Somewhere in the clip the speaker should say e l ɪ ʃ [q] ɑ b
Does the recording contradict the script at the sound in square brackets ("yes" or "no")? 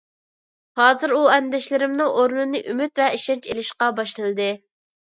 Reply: no